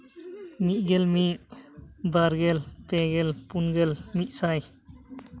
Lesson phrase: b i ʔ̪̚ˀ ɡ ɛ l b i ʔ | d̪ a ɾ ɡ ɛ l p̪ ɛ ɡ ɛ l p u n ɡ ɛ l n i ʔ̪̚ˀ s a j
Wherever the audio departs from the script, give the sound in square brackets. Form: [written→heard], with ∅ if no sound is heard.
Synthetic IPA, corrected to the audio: [b→m] i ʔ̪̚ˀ ɡ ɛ l [b→m] i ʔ | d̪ a ɾ ɡ ɛ l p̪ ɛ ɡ ɛ l p u n ɡ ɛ l [n→m] i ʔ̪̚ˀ s a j